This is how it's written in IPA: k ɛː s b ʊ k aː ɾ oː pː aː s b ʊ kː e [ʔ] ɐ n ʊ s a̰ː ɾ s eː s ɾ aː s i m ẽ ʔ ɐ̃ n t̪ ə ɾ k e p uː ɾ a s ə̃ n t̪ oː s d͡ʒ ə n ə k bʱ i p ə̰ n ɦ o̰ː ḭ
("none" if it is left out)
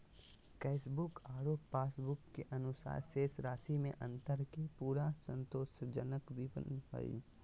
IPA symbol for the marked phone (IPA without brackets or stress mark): ʔ